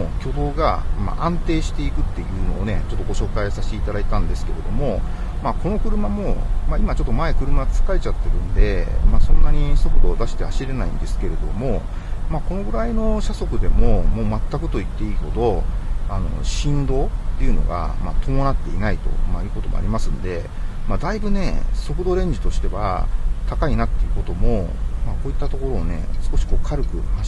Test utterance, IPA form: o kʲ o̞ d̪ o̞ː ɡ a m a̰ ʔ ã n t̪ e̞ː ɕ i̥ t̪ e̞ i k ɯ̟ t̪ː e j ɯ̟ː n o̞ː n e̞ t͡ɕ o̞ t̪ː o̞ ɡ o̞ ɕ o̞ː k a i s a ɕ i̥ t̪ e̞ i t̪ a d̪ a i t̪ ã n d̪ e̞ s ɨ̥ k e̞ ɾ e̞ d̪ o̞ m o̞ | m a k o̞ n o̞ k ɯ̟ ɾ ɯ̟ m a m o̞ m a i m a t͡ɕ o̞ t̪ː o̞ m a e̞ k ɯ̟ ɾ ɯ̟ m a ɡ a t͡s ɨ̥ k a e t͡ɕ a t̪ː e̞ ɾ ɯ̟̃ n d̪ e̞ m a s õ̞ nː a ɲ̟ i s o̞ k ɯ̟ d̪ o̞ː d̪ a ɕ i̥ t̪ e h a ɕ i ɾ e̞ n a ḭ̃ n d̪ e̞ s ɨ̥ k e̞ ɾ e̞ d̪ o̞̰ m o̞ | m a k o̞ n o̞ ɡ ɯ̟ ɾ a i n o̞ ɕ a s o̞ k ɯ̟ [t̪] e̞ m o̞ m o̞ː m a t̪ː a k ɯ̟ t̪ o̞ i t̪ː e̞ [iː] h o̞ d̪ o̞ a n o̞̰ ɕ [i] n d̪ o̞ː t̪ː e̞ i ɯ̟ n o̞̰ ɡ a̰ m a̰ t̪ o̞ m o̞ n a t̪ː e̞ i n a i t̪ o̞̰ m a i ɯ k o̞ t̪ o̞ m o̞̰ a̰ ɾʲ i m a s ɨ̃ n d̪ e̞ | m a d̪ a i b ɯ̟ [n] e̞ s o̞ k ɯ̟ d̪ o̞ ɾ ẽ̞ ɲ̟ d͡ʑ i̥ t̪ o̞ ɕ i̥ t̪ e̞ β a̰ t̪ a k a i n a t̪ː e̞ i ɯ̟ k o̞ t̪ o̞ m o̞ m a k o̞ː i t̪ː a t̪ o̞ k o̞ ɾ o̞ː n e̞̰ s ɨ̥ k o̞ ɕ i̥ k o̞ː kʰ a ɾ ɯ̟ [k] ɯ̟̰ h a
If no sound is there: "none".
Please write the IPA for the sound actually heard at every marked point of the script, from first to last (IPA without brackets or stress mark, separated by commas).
d̪, iː, ĩ, n, k